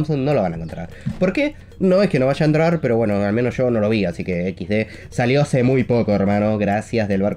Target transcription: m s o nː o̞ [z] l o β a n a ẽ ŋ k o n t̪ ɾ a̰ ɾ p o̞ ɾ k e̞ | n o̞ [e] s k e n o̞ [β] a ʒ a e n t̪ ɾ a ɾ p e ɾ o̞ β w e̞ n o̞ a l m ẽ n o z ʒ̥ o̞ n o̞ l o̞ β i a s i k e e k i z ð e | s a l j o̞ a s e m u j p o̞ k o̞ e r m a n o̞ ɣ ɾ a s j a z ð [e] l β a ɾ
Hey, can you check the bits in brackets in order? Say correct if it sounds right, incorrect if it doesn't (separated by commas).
incorrect, correct, correct, correct